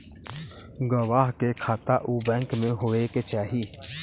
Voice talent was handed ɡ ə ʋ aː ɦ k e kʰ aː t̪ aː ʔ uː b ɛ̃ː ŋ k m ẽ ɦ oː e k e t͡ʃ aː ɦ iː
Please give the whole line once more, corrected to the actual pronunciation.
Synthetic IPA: ɡ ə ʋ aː ɦ k e kʰ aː t̪ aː ʔ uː b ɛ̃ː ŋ k m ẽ ɦ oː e k e t͡ʃ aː ɦ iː